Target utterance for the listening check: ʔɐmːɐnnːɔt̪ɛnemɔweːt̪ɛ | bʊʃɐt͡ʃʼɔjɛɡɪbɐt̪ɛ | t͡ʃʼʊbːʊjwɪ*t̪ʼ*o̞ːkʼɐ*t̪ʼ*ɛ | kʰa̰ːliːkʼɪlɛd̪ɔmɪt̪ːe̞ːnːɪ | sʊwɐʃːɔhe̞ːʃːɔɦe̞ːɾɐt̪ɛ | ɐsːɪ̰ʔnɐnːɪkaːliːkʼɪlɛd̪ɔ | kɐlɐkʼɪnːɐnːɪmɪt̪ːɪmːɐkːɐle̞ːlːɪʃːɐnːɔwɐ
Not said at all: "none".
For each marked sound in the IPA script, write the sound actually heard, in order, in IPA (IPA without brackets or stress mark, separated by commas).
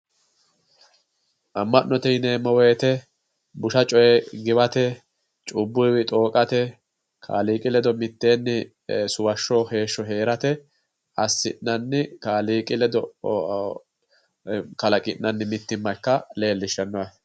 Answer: t̪ʼ, t̪